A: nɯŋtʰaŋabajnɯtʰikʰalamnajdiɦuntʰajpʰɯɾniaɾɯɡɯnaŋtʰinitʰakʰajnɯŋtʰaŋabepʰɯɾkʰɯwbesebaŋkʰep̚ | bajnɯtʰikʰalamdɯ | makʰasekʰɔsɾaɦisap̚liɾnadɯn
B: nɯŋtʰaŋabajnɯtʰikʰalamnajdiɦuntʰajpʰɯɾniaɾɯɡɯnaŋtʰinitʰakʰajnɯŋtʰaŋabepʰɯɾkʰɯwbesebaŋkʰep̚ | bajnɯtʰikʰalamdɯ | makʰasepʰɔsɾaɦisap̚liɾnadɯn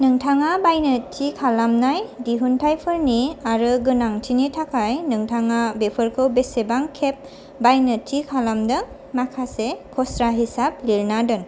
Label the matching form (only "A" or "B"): A